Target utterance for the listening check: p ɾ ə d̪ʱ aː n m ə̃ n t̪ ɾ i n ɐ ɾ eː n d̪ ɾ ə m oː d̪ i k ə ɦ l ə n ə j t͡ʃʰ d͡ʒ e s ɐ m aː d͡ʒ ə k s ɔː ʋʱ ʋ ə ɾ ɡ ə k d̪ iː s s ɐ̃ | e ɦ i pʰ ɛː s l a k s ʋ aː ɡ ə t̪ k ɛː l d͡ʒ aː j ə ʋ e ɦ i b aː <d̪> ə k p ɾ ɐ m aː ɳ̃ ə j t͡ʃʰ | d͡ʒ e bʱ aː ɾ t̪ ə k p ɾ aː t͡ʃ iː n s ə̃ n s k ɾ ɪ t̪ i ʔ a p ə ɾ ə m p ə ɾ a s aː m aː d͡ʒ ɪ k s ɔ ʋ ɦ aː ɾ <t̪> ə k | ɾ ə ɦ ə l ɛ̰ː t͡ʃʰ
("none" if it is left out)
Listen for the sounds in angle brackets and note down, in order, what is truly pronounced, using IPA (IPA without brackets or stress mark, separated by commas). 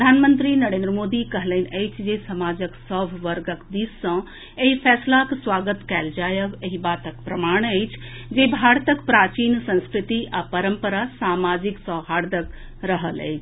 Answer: t̪, d̪